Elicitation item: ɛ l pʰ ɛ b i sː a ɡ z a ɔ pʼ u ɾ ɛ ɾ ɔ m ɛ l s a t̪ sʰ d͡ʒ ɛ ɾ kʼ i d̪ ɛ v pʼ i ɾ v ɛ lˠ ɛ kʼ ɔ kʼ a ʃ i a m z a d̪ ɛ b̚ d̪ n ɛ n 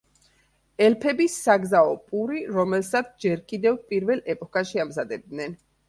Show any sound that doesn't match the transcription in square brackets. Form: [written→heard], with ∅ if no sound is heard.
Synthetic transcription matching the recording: ɛ l pʰ ɛ b i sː a ɡ z a ɔ pʼ u ɾ [ɛ→i] ɾ ɔ m ɛ l s a t̪ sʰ d͡ʒ ɛ ɾ kʼ i d̪ ɛ v pʼ i ɾ v ɛ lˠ ɛ [kʼ→pʼ] ɔ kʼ a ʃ i a m z a d̪ ɛ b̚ d̪ n ɛ n